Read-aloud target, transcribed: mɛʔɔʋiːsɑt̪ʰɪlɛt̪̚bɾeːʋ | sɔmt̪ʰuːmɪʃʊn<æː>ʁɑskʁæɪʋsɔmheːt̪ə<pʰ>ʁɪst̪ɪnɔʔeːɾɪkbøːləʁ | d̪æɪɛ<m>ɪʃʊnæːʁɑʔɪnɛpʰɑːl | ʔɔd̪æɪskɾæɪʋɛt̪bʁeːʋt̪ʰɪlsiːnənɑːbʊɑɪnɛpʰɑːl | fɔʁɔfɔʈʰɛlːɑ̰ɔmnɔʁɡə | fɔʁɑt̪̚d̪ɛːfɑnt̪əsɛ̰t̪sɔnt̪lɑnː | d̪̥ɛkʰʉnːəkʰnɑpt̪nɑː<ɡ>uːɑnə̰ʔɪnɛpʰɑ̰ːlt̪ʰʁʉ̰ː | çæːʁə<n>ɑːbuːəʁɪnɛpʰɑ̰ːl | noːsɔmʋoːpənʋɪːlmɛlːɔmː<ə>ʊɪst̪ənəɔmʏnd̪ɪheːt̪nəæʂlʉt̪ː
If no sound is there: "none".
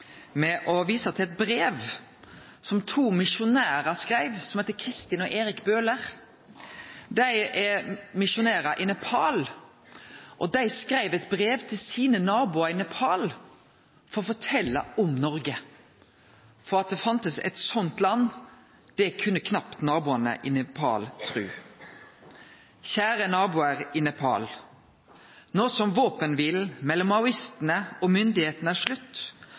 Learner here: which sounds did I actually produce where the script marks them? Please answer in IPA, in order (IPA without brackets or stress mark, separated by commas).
æː, kʰ, m, b, n, ɑ